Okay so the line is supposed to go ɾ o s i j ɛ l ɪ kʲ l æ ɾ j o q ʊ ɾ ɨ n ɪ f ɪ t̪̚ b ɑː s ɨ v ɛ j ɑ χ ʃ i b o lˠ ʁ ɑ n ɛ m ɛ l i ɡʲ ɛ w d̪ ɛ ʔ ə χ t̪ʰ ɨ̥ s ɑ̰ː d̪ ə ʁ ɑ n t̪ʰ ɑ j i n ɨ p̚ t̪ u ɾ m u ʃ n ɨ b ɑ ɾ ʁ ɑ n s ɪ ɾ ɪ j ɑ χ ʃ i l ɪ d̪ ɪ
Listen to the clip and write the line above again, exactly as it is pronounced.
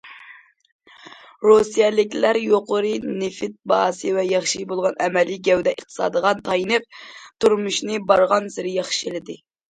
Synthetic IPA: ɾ o s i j ɛ l ɪ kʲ l æ ɾ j o q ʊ ɾ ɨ n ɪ f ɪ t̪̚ b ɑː s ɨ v ɛ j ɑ χ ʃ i b o lˠ ʁ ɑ n ɛ m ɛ l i ɡʲ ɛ w d̪ ɛ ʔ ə χ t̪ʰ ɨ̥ s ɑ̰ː d̪ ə ʁ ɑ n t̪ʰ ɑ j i n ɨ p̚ t̪ u ɾ m u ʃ n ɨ b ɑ ɾ ʁ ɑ n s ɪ ɾ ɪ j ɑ χ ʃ i l ɪ d̪ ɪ